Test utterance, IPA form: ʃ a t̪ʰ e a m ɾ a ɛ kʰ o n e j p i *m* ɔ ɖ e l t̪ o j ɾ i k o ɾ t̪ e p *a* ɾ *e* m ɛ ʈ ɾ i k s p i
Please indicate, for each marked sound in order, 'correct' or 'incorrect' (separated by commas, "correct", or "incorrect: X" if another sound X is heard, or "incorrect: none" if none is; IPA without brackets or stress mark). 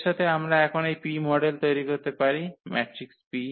correct, correct, incorrect: i